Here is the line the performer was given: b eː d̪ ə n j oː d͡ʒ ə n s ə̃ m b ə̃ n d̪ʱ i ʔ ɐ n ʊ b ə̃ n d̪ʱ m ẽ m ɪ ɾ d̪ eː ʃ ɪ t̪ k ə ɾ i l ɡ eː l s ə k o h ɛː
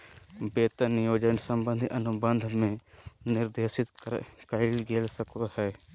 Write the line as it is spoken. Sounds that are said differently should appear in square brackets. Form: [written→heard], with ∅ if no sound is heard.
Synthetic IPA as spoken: b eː [d̪→t̪] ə n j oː d͡ʒ ə n s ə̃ m b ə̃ n d̪ʱ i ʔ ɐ n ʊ b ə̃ n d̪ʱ m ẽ [m→n] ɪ ɾ d̪ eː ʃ ɪ t̪ k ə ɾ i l ɡ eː l s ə k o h ɛː